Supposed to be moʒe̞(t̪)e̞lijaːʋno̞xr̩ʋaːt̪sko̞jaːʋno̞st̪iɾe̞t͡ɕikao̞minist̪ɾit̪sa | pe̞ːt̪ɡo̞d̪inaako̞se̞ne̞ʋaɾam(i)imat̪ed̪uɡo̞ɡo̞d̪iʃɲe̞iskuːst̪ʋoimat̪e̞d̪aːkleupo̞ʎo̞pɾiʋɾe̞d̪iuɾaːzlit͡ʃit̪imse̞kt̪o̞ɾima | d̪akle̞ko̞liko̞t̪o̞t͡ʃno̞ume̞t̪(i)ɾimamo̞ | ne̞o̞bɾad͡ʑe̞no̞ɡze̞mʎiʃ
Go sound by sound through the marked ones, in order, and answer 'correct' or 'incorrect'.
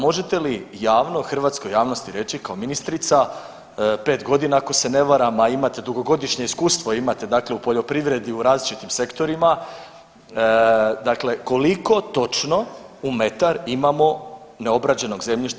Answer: correct, incorrect: a, incorrect: a

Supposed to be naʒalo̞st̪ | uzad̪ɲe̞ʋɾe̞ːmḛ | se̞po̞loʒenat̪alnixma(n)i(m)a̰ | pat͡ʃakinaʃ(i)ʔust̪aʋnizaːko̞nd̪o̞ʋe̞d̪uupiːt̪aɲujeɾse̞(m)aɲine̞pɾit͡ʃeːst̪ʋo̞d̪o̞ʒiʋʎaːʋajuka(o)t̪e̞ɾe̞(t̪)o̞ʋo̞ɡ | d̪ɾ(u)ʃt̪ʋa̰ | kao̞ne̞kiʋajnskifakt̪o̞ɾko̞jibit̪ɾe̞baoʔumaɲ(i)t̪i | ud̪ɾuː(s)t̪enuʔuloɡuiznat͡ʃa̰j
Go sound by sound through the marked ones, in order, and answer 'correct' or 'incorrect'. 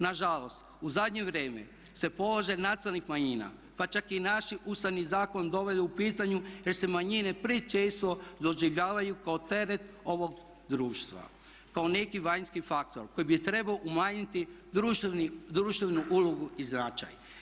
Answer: incorrect: ɲ, incorrect: n, correct, correct, correct, correct, incorrect: uː, correct, incorrect: ʃ

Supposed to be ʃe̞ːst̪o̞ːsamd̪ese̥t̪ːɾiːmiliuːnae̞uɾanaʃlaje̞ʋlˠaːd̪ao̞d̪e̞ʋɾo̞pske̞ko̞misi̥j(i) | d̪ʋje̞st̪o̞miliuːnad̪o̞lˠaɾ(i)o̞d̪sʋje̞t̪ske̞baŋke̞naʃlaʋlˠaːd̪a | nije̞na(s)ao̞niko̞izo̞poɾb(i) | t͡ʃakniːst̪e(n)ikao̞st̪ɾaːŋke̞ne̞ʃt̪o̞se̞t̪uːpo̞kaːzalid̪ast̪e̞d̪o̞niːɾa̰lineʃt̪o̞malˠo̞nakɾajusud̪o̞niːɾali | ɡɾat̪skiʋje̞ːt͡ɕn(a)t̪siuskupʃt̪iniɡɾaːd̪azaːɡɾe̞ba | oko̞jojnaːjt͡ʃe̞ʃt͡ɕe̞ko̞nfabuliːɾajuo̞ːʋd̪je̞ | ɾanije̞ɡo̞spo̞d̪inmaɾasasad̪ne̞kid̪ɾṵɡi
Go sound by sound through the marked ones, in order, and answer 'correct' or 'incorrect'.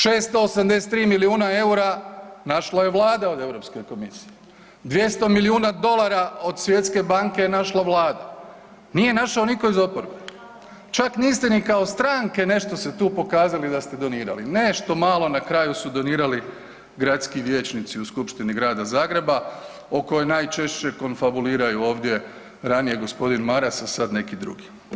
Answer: incorrect: e, incorrect: a, incorrect: ʃ, incorrect: e, correct, incorrect: i

